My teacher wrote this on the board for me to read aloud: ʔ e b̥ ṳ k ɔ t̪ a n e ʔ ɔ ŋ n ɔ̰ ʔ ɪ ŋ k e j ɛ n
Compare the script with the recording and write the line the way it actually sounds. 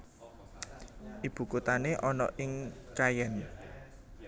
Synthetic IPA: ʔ i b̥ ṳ k u t̪ a n e ʔ ɔ n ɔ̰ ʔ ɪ ŋ k a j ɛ n